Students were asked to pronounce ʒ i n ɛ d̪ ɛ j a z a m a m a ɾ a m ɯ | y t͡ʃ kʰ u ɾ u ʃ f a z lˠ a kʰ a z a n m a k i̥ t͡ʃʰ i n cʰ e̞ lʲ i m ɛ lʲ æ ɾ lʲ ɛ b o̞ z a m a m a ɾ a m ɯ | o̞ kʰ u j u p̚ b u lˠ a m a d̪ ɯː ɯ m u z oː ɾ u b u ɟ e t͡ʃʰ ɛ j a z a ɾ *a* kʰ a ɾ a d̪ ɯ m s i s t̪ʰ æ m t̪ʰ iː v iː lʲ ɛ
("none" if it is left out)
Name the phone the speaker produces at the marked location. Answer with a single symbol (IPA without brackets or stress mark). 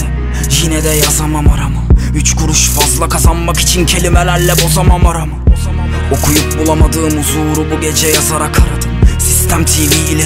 a